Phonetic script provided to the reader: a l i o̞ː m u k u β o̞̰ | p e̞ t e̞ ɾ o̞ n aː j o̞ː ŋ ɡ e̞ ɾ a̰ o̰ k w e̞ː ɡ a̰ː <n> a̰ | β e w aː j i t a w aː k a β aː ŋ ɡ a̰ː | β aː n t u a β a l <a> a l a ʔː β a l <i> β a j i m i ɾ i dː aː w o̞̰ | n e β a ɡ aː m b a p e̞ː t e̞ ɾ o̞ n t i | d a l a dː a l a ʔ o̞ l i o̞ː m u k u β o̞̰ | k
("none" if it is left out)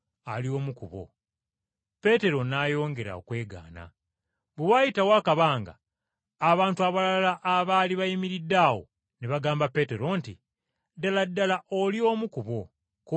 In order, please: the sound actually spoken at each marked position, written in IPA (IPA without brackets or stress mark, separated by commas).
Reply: n, a, i